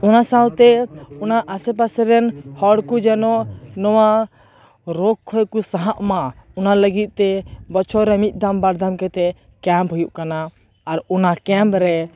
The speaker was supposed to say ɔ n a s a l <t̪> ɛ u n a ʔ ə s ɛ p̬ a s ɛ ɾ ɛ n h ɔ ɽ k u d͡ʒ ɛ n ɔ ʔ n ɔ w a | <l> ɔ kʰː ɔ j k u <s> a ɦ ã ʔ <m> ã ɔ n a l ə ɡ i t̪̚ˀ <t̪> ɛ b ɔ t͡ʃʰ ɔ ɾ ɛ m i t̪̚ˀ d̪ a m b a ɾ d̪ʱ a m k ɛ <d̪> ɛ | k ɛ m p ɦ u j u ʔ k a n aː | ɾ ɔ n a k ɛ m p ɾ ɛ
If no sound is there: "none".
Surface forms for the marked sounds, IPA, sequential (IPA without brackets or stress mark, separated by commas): t̪, ɾ, s, m, t̪, t̪